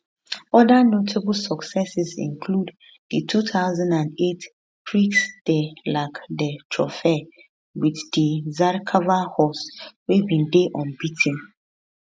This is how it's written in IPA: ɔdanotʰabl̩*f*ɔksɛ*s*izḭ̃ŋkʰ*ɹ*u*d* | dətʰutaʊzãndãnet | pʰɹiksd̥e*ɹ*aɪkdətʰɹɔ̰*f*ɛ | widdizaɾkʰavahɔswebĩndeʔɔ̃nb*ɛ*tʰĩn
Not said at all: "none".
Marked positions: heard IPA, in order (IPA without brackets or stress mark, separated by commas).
s, s, l, d, l, f, i